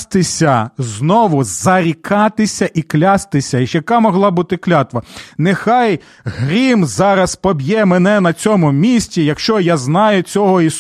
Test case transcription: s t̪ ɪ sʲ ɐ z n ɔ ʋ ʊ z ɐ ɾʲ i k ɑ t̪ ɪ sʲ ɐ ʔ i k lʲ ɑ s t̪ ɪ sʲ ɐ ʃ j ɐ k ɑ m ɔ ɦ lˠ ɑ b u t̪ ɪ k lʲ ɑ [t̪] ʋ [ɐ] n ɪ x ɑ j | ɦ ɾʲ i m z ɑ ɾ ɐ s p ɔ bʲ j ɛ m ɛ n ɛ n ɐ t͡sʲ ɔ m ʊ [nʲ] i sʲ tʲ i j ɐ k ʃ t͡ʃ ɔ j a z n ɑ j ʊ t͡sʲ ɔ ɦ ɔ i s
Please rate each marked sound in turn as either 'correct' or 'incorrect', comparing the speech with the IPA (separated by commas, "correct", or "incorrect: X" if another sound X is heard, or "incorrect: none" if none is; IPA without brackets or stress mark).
correct, correct, incorrect: mʲ